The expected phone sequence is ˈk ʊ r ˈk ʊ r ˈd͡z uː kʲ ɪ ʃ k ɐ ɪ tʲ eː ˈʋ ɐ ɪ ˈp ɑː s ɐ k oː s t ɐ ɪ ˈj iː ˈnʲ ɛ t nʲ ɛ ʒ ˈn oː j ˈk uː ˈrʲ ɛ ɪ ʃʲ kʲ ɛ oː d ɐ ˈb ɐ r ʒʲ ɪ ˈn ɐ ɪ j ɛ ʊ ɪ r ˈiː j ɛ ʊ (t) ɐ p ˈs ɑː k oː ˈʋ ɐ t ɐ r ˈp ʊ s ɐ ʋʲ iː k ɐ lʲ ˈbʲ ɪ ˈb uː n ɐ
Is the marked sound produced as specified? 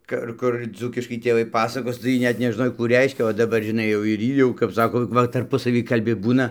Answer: no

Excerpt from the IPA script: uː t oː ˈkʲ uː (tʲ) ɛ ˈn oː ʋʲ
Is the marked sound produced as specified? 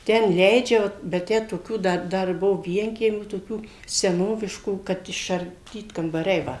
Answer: no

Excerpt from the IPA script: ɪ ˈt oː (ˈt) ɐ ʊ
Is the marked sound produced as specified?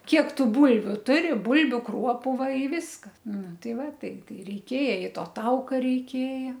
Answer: yes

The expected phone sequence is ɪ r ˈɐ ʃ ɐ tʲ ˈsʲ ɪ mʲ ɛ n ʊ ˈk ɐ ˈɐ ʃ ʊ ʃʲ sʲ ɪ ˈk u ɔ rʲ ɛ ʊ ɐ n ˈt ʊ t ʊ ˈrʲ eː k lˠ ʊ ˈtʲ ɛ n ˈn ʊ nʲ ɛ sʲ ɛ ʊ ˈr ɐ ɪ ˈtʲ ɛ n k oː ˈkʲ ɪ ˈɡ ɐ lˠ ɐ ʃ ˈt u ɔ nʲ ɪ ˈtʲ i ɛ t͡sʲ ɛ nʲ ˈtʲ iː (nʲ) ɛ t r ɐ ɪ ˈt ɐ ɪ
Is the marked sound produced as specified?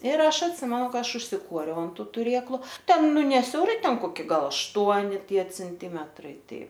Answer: no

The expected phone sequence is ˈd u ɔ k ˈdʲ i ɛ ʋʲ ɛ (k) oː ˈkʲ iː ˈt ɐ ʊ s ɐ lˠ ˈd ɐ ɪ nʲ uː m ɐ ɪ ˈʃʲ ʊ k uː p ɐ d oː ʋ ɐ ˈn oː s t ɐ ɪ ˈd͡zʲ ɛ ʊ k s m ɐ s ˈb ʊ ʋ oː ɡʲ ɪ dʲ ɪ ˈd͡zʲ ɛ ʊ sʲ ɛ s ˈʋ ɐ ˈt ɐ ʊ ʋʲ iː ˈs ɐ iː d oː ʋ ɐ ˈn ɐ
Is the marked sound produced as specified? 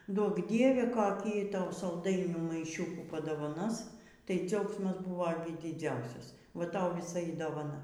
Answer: yes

